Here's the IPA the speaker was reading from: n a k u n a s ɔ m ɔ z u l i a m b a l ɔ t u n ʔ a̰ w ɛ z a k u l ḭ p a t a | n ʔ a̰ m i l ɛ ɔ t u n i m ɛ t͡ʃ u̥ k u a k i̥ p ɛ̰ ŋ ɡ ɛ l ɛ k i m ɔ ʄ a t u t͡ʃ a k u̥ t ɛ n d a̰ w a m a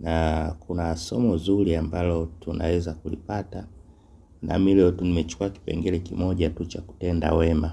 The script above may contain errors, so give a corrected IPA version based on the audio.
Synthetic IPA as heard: n a k u n a s ɔ m ɔ z u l i a m b a l ɔ t u n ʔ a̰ w ɛ z a k u l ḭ p a t a | n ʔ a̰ m i l ɛ ɔ t u n i m ɛ t͡ʃ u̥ k u a k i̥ p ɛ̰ ŋ ɡ ɛ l ɛ k i m ɔ ʄ a t u t͡ʃ a k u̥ t ɛ n d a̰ w ɛ m a